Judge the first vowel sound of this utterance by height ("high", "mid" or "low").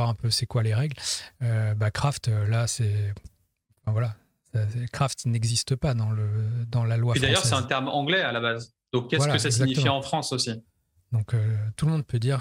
low